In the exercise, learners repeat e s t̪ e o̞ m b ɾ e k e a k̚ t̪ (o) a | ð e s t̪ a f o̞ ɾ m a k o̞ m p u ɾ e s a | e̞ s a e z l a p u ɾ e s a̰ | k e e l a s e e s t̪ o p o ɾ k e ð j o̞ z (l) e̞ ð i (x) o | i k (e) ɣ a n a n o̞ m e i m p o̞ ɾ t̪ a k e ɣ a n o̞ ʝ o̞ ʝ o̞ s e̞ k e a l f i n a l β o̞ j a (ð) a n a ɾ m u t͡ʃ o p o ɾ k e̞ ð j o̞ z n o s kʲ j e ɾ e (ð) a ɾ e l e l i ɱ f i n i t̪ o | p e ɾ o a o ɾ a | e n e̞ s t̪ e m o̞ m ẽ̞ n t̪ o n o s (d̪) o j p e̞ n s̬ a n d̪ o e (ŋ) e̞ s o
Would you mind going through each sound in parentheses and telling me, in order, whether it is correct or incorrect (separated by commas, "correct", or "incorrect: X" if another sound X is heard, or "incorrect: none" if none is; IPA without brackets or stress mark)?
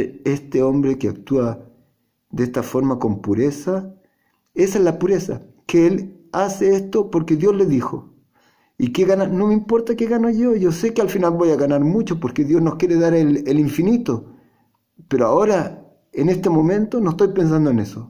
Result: incorrect: u, correct, correct, correct, incorrect: ɣ, correct, incorrect: t̪, incorrect: n